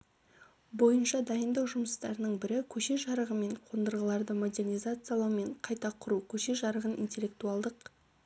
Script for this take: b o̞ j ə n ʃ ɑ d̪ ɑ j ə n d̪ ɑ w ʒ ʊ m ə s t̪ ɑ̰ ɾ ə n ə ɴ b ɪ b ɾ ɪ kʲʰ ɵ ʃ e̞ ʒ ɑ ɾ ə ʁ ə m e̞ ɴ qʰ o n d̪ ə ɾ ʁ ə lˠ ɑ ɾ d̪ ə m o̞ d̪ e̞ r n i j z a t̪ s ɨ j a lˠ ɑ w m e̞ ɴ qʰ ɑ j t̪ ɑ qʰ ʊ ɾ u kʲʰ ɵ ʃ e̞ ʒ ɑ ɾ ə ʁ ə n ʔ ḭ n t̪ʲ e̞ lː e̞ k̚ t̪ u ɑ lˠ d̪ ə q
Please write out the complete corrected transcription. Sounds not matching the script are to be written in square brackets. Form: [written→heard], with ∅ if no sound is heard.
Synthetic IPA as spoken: b o̞ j ə n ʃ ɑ d̪ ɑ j ə n d̪ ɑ w ʒ ʊ m ə s t̪ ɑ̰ ɾ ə n ə ɴ b ɪ [b→∅] ɾ ɪ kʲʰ ɵ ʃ e̞ ʒ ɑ ɾ ə ʁ ə m e̞ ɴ qʰ o n d̪ ə ɾ ʁ ə lˠ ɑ ɾ d̪ ə m o̞ d̪ e̞ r n i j z a t̪ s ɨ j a lˠ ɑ w m e̞ ɴ qʰ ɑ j t̪ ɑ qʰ ʊ ɾ u kʲʰ ɵ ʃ e̞ ʒ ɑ ɾ ə ʁ ə n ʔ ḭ n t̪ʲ e̞ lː e̞ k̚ t̪ u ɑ lˠ d̪ ə q